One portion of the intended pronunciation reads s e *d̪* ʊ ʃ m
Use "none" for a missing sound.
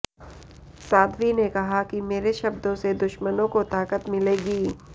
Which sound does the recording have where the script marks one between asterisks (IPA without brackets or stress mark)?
d̪